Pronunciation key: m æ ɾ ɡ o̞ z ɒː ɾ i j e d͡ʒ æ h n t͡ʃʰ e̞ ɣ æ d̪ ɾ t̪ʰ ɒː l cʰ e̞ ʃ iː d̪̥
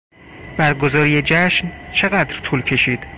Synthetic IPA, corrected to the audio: b æ ɾ ɡ o̞ z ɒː ɾ i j e d͡ʒ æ ʃ n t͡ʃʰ e̞ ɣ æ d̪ ɾ t̪ʰ uː l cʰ e̞ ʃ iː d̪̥